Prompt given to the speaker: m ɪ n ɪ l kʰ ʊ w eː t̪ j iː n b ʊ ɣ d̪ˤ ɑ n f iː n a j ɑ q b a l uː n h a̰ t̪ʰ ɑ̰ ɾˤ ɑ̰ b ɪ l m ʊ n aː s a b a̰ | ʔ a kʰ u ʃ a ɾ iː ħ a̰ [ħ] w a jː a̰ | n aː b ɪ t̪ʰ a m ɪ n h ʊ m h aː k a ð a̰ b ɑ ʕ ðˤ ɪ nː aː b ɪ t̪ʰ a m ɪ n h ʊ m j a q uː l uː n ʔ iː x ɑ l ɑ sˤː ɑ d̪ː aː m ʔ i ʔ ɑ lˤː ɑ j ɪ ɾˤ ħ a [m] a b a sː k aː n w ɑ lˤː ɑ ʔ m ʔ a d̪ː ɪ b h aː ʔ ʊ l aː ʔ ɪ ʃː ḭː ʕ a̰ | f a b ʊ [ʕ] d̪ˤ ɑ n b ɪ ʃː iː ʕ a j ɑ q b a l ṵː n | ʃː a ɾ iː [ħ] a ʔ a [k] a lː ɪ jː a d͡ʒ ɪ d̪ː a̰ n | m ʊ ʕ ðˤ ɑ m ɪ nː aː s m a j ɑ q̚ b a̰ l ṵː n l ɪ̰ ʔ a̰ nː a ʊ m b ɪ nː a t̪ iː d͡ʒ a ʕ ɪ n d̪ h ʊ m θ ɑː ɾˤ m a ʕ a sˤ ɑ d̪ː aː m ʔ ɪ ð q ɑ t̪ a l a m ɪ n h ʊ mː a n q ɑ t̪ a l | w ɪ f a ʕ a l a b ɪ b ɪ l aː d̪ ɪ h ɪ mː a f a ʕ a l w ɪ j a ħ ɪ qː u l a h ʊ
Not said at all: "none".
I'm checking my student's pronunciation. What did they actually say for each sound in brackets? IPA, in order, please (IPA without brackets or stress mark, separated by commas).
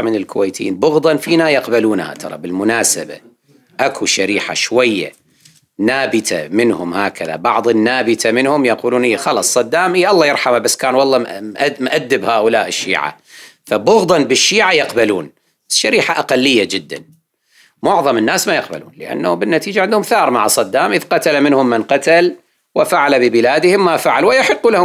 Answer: ʃ, m, ɣ, ħ, q